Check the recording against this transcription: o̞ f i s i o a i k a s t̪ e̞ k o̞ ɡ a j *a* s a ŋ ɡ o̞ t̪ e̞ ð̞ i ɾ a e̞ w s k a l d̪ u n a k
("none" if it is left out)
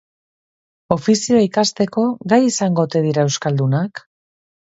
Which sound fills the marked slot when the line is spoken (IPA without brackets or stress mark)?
i